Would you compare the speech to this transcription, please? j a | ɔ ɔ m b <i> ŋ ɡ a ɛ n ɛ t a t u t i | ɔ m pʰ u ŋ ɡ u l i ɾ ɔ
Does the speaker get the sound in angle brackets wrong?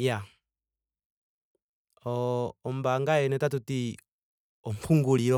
yes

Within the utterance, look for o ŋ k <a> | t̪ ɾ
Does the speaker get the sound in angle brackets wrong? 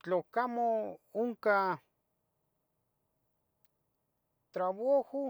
no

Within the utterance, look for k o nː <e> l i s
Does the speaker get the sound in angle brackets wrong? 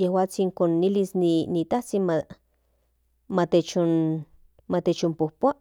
yes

